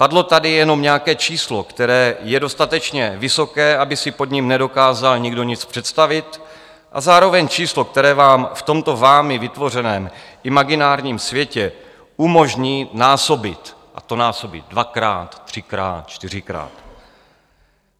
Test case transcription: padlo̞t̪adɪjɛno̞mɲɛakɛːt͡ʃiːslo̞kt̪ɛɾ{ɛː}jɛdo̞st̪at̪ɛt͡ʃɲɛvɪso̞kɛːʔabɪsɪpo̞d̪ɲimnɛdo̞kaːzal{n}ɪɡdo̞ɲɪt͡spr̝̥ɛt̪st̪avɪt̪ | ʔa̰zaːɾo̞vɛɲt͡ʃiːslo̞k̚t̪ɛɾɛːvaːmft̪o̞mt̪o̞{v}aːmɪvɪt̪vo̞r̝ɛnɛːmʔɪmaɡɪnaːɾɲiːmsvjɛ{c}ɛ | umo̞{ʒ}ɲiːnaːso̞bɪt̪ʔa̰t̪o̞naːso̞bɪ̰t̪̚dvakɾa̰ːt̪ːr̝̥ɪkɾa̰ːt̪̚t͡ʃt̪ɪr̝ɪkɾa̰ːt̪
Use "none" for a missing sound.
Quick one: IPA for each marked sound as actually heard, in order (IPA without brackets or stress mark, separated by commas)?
ɛː, ɲ, v, c, ʒ